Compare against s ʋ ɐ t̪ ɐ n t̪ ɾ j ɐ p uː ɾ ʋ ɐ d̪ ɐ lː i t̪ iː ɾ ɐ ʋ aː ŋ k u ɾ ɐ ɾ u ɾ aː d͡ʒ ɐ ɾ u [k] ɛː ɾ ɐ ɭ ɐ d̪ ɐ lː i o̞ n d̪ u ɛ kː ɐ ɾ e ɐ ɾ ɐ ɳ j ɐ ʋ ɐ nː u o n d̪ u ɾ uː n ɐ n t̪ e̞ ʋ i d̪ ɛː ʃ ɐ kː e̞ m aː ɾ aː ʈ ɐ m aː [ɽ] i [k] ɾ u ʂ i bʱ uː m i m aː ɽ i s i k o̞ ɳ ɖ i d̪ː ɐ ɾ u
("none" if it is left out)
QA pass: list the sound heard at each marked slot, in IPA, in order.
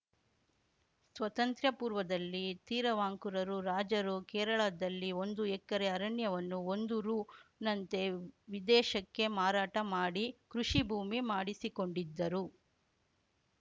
k, ɽ, k

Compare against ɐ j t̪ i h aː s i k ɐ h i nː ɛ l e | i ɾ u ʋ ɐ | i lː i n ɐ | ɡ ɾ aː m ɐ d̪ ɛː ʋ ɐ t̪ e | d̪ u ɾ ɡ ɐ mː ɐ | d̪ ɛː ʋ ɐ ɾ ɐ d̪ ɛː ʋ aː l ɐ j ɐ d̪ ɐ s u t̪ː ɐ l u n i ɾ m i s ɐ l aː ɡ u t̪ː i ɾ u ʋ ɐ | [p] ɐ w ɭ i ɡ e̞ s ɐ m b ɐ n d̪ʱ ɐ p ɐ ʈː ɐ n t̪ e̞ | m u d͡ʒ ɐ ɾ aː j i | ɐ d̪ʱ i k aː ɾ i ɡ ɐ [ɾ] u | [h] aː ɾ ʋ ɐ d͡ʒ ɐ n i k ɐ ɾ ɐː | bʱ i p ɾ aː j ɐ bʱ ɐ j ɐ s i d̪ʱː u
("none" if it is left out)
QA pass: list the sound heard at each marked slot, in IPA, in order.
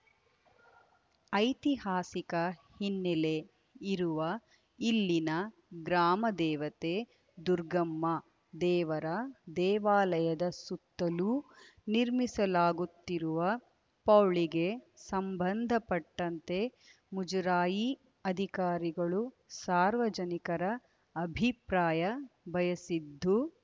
p, ɭ, s

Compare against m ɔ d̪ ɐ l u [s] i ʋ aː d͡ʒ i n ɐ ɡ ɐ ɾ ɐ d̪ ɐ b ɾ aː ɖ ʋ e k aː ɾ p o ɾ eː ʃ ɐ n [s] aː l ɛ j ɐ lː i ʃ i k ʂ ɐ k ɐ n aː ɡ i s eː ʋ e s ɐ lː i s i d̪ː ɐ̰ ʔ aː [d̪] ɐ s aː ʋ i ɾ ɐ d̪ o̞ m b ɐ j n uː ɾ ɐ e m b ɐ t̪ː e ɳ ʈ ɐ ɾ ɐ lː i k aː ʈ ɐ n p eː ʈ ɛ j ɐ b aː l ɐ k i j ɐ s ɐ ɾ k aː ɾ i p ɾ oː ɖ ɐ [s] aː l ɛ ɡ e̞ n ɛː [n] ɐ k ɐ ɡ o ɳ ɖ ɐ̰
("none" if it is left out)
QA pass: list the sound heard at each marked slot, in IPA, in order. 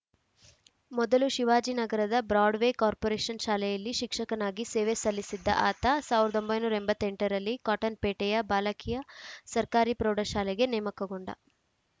ʃ, ʃ, t̪, ʃ, m

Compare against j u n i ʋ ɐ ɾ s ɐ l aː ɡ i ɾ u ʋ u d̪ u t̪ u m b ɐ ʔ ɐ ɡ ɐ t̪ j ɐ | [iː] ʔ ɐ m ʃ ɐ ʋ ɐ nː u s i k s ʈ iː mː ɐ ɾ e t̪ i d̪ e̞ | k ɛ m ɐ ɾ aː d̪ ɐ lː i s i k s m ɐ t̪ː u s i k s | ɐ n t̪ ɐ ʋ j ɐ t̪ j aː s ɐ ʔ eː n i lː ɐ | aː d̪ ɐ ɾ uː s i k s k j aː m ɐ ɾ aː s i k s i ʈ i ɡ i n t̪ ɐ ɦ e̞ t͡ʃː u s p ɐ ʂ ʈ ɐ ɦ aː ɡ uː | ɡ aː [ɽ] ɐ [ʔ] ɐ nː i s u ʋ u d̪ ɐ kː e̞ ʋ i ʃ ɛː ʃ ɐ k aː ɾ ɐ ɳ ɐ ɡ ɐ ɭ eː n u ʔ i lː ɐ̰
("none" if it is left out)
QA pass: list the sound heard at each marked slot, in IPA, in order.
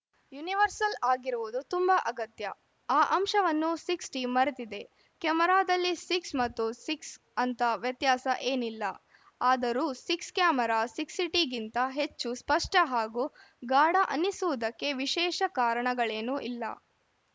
aː, ɽ, ʔ

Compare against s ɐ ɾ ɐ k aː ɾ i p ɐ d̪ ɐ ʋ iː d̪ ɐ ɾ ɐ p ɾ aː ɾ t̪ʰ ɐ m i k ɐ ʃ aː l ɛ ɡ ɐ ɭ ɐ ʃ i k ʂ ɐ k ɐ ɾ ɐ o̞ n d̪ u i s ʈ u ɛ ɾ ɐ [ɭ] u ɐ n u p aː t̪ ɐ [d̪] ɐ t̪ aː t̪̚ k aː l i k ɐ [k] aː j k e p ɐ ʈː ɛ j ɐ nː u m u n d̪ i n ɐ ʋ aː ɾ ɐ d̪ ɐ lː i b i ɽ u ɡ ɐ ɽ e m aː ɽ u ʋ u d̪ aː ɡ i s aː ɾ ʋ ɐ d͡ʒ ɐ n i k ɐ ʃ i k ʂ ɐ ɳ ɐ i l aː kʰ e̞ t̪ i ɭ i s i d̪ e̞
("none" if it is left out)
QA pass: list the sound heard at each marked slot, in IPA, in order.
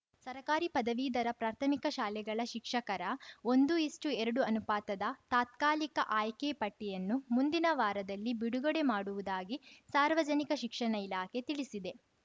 ɽ, d̪, ʔ

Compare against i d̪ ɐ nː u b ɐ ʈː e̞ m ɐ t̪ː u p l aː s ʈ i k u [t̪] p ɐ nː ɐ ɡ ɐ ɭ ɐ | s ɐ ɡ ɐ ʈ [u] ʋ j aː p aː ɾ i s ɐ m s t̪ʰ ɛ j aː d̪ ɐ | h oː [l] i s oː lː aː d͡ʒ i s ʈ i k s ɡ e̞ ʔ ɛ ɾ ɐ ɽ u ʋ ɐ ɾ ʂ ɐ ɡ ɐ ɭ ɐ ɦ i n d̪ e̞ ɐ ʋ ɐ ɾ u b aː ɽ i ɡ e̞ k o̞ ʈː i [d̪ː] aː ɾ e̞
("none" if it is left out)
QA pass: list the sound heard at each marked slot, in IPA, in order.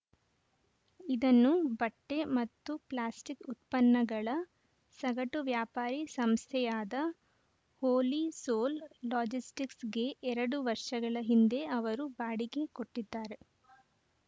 t̪, u, l, d̪ː

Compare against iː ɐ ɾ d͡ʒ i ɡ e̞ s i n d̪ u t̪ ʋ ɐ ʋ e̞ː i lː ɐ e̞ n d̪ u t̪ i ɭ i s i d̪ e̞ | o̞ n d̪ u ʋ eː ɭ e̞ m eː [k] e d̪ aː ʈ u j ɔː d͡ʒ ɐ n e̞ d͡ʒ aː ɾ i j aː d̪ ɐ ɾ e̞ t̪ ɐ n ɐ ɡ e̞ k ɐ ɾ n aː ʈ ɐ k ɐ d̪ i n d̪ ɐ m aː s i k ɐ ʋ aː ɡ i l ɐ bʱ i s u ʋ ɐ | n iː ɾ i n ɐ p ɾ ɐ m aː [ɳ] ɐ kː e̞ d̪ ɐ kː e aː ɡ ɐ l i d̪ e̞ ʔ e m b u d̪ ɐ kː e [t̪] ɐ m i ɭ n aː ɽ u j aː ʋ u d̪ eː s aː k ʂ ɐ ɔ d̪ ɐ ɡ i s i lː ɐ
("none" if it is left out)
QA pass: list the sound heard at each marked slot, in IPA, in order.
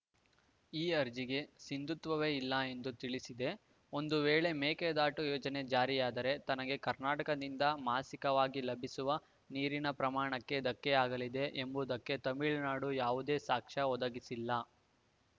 k, ɳ, t̪

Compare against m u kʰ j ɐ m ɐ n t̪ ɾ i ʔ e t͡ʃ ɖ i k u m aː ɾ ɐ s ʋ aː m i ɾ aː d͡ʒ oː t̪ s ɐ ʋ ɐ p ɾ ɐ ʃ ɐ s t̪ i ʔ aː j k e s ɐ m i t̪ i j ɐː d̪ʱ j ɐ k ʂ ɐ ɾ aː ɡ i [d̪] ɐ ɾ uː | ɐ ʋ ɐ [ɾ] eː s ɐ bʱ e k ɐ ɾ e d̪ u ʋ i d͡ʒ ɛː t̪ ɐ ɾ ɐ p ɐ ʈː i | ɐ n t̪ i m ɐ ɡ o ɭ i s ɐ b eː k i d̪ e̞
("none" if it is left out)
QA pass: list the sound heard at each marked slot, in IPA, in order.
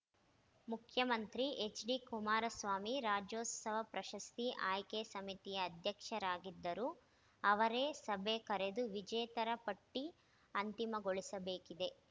d̪ː, ɾ

